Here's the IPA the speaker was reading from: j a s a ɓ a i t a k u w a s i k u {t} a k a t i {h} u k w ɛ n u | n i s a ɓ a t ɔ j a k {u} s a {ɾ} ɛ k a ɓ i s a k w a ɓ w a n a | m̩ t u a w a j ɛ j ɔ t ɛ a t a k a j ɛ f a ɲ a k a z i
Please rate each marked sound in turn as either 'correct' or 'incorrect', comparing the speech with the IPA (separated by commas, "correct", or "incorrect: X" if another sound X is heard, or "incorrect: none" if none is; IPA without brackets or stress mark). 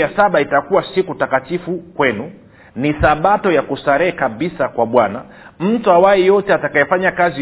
correct, incorrect: f, correct, correct